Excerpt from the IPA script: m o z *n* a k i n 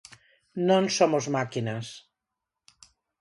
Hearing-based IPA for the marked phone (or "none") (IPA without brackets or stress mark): m